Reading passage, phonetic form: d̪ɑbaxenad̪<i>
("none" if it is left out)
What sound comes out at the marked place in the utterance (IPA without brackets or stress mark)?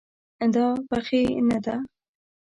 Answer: a